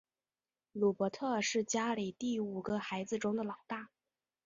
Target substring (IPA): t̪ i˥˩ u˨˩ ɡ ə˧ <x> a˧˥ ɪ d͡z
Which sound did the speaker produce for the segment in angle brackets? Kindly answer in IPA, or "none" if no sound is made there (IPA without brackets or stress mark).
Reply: x